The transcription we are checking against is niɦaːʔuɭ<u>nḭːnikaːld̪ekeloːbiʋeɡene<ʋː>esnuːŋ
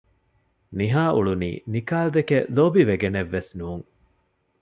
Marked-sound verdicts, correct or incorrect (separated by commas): correct, correct